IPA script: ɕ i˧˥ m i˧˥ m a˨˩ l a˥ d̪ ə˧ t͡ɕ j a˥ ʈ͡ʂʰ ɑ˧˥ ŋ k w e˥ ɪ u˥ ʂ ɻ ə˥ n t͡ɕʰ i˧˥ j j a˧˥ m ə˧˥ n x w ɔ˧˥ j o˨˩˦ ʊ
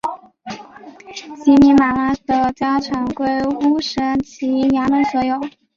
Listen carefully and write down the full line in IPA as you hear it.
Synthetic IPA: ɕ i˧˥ m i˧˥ m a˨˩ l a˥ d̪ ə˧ t͡ɕ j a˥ ʈ͡ʂʰ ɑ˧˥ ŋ k w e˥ ɪ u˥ ʂ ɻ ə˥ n t͡ɕʰ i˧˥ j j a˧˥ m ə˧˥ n s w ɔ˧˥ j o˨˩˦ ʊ